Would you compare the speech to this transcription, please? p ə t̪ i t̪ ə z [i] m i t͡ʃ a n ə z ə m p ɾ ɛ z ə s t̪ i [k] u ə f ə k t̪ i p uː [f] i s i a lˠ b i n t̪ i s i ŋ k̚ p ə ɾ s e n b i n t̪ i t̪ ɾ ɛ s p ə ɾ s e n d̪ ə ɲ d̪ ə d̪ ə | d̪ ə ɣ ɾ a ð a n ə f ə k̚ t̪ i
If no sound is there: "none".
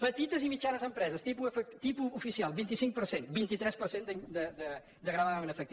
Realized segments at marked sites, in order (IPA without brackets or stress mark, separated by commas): i, p, f